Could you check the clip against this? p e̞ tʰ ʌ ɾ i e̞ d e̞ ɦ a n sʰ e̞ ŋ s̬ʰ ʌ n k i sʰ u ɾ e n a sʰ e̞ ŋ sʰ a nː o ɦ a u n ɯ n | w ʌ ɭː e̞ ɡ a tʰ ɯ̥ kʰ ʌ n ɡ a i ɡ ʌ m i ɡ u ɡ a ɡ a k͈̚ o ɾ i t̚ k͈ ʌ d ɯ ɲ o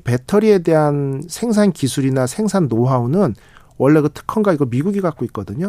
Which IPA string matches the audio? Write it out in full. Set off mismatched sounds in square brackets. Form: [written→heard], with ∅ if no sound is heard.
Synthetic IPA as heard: p e̞ tʰ ʌ ɾ i e̞ d e̞ ɦ a n sʰ e̞ ŋ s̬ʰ [ʌ→a] n k i sʰ u ɾ [e→i] n a sʰ e̞ ŋ sʰ a nː o ɦ a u n ɯ n | w ʌ ɭː e̞ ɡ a tʰ ɯ̥ kʰ ʌ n ɡ a i ɡ ʌ m i ɡ u ɡ [a→i] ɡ a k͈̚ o [ɾ→∅] i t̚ k͈ ʌ d ɯ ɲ o